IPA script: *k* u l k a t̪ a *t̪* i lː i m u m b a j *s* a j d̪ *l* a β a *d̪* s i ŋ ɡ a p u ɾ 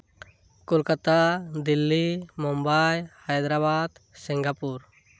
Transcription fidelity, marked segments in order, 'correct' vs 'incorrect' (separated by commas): correct, incorrect, incorrect, incorrect, correct